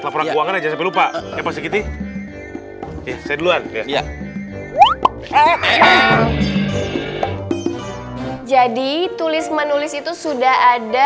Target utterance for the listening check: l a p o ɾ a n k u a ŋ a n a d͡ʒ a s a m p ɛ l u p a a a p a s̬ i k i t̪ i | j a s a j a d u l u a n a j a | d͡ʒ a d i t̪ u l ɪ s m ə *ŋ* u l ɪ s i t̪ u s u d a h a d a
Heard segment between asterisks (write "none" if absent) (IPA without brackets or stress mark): n